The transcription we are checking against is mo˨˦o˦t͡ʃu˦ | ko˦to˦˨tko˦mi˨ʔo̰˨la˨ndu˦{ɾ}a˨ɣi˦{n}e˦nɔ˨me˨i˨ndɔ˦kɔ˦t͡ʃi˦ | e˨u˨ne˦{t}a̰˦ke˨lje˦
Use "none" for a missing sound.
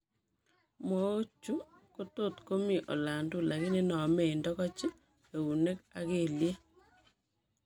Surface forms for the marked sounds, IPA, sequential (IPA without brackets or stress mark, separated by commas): l, n, k